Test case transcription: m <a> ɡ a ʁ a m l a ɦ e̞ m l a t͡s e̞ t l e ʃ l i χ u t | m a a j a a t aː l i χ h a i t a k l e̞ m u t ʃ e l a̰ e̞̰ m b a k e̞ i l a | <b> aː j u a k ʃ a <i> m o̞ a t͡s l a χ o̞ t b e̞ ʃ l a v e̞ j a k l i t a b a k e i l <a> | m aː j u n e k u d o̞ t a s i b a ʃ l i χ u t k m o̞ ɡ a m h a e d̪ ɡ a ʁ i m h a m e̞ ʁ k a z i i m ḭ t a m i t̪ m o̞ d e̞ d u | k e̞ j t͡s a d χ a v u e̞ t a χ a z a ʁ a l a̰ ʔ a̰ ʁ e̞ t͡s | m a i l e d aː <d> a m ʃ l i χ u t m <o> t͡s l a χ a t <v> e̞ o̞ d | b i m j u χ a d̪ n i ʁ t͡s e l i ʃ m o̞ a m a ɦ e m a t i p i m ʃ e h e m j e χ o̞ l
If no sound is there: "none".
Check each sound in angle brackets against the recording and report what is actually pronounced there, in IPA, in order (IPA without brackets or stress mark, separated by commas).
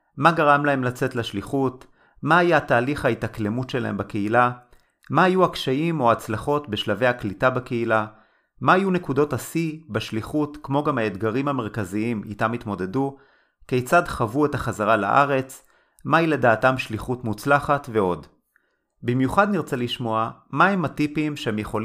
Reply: a, m, i, a, t, u, v